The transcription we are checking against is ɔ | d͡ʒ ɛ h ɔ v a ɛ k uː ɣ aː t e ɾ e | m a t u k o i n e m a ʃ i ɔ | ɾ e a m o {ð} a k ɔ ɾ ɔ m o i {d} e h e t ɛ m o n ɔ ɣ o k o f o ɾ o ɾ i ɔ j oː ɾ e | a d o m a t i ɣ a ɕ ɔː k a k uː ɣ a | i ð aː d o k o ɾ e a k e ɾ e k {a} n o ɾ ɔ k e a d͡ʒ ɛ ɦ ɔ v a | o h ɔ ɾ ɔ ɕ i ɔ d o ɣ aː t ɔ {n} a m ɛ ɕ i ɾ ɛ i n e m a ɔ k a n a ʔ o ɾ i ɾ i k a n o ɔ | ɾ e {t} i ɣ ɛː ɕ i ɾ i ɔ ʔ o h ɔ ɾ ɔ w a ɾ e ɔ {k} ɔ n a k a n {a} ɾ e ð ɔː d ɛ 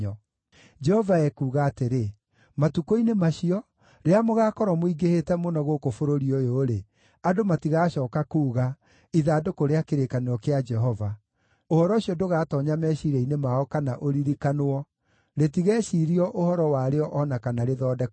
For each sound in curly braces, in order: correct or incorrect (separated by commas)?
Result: incorrect, incorrect, correct, incorrect, correct, incorrect, correct